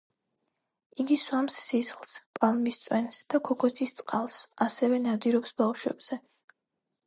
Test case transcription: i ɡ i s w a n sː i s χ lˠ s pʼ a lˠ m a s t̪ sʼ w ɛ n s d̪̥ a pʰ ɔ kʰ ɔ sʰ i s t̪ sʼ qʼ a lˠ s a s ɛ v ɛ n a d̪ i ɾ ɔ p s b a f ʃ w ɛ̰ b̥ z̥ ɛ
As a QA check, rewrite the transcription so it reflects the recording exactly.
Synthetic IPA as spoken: i ɡ i s w a m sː i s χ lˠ s pʼ a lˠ m i s t̪ sʼ w ɛ n s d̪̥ a kʰ ɔ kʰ ɔ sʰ i s t̪ sʼ qʼ a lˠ s a s ɛ v ɛ n a d̪ i ɾ ɔ p s b a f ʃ w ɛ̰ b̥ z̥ ɛ